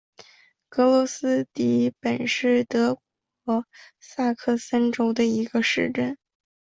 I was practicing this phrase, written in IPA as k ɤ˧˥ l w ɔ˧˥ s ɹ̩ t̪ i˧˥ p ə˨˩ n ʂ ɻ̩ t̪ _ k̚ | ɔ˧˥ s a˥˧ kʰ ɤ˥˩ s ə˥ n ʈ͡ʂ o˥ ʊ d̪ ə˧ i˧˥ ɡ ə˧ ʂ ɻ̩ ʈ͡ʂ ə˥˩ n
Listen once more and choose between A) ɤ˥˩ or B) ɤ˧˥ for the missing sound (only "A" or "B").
B